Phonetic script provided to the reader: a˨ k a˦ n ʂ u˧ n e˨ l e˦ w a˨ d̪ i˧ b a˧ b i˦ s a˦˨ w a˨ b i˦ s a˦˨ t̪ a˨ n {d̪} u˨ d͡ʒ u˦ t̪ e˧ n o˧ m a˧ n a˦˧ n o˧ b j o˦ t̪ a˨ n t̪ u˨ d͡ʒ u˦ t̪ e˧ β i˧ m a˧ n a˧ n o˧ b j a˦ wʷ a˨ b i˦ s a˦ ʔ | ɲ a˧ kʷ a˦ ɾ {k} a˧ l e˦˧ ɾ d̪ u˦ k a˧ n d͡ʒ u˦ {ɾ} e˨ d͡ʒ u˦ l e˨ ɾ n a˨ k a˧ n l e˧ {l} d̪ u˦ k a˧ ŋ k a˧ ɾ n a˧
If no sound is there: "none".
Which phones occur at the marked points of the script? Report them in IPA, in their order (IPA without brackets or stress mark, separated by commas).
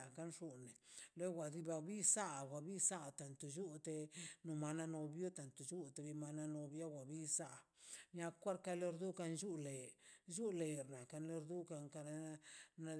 t̪, k, l, ɾ